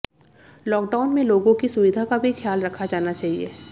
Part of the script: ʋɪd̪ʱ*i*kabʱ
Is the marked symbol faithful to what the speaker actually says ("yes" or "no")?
no